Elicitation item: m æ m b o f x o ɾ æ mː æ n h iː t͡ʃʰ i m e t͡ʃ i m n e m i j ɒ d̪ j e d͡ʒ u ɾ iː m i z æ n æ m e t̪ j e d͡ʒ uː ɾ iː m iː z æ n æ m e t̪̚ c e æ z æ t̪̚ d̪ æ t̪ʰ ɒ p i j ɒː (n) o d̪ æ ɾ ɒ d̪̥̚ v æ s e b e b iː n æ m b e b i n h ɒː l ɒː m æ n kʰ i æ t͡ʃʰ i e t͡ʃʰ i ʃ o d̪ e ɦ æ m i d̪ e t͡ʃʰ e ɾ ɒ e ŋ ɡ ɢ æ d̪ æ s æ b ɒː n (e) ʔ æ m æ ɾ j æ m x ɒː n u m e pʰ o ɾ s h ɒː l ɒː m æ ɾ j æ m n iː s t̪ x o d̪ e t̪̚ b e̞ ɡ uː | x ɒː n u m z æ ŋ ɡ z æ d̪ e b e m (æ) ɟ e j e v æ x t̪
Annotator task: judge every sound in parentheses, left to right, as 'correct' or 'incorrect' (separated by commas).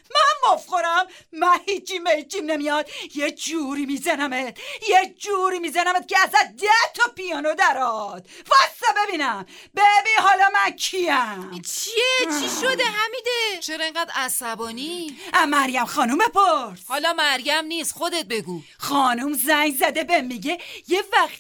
correct, incorrect, incorrect